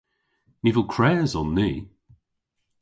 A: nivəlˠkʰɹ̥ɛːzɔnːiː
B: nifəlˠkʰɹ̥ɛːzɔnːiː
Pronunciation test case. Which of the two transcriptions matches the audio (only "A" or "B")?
A